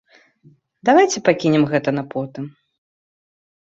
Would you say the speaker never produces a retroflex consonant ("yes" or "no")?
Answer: yes